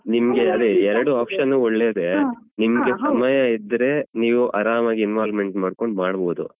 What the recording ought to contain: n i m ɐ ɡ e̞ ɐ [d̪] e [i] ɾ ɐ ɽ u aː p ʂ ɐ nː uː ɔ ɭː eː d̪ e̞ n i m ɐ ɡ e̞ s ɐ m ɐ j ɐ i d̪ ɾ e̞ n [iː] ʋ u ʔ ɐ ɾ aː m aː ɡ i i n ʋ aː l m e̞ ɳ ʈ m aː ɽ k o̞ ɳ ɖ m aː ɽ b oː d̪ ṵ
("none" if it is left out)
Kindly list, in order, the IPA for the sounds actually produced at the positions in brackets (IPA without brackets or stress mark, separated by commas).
d̪, ɛ, iː